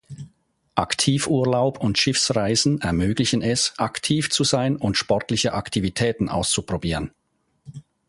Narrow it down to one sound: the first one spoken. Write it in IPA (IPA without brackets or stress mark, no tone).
ʔ